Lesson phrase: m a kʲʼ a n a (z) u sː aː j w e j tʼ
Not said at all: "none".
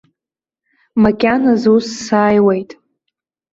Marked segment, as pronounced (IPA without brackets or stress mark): z